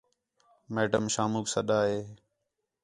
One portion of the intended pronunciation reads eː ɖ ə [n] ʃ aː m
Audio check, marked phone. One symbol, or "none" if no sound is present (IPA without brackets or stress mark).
m